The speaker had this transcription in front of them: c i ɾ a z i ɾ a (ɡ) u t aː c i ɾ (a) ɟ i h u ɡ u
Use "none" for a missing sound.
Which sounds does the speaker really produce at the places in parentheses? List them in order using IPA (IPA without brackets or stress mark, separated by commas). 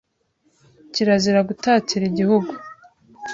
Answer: ɡ, i